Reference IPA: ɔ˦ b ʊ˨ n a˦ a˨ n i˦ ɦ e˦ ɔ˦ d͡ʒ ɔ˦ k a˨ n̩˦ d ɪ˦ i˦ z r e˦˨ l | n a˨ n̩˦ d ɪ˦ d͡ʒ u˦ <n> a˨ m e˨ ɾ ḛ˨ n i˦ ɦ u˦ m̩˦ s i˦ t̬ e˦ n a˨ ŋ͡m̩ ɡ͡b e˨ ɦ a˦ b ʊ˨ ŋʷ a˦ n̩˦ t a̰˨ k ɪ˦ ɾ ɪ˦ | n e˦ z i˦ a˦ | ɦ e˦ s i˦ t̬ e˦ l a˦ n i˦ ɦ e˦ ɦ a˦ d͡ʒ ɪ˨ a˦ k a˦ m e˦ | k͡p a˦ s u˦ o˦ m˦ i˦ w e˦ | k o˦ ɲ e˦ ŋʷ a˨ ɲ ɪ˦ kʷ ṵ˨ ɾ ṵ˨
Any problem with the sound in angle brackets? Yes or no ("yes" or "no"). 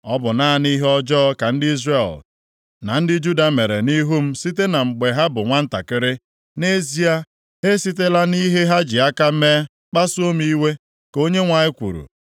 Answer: yes